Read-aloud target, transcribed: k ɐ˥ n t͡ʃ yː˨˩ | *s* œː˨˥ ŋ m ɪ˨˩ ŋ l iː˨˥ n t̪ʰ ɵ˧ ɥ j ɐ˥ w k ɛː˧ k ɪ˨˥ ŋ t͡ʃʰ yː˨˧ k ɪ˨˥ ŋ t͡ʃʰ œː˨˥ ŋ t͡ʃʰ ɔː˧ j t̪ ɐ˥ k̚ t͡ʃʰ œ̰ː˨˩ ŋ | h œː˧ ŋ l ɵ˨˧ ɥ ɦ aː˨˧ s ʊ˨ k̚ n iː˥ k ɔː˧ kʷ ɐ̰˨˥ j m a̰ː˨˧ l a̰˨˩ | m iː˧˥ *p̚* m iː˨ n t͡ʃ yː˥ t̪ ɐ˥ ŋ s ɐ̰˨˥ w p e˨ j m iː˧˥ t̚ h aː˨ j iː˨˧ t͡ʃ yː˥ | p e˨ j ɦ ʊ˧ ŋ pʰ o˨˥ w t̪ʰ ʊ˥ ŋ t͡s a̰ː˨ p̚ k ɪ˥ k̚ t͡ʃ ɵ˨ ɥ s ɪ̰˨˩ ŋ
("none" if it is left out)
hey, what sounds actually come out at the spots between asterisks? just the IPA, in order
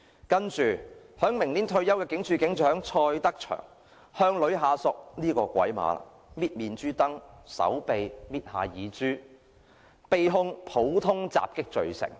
h, t̚

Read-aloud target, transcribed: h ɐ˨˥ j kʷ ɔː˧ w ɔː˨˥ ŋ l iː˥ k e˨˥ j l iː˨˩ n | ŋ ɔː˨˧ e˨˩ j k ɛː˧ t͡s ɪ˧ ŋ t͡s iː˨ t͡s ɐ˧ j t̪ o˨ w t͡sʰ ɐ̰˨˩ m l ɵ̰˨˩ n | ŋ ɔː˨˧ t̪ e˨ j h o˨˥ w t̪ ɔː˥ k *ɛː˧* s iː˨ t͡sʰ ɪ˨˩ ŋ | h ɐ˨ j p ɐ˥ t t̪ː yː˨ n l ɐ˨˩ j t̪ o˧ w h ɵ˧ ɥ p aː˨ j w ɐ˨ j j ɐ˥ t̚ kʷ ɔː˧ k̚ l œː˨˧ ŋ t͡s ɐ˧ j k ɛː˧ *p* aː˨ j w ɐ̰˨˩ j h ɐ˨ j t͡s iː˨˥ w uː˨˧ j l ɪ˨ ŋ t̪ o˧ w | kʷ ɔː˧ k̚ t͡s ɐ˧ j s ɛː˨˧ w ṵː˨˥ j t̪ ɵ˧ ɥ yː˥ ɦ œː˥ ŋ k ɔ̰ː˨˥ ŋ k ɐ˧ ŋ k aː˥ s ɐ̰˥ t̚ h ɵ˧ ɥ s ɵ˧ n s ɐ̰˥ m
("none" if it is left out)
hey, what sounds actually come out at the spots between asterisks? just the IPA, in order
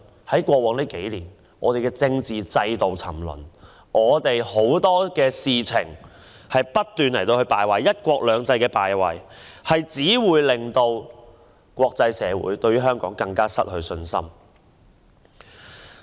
ɛː˧, p

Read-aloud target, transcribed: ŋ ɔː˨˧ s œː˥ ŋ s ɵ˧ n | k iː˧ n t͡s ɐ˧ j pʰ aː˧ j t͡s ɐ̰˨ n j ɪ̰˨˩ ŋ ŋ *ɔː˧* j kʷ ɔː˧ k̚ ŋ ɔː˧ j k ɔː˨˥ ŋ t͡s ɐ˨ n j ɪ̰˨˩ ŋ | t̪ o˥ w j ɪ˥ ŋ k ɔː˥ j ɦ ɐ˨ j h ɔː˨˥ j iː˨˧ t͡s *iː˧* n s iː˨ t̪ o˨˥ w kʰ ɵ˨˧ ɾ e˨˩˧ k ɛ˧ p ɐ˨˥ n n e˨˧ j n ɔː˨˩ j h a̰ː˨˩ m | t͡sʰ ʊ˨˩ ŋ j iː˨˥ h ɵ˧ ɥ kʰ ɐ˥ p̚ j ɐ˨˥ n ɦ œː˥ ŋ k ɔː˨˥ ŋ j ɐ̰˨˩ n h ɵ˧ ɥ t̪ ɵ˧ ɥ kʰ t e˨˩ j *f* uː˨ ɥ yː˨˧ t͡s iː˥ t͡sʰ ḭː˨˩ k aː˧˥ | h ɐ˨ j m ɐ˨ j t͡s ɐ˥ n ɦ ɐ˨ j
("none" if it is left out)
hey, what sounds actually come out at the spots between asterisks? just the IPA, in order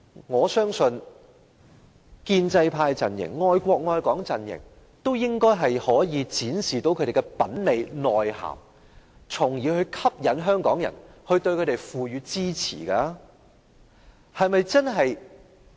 ɔː˧, iː˨˥, f

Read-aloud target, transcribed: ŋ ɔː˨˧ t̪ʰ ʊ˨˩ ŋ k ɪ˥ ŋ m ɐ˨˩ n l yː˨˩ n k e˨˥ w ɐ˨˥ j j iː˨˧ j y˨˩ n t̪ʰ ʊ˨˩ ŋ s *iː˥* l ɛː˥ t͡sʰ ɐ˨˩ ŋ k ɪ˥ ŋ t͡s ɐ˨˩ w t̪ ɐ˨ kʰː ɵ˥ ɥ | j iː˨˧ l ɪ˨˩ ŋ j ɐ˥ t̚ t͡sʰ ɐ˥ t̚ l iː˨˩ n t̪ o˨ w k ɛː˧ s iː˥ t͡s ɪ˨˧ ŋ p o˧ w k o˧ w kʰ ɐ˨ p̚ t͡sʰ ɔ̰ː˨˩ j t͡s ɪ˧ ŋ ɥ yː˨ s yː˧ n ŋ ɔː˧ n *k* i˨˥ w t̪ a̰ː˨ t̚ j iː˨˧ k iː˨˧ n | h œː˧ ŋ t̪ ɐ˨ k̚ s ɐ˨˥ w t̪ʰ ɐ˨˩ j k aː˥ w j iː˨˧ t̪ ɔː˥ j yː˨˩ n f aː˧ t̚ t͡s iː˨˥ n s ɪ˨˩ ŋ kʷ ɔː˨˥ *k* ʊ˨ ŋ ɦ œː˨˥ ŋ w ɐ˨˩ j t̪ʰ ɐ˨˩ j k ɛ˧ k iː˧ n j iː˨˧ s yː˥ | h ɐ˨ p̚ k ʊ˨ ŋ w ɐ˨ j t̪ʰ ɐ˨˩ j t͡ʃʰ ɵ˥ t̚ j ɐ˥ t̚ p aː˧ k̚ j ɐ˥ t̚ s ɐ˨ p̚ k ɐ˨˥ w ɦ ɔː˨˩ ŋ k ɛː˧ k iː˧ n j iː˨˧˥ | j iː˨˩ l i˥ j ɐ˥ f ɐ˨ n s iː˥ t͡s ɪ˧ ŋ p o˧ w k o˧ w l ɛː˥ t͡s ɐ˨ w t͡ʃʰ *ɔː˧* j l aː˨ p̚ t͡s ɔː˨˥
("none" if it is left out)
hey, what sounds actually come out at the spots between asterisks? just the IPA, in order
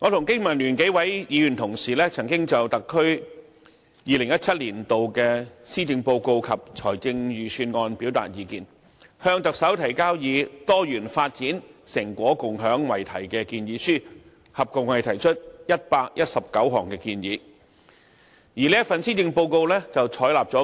iː˨˩, p, k, ɔː˨˥

